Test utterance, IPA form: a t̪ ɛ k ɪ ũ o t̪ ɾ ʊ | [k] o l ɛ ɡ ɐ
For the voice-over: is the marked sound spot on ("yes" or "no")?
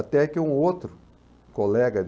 yes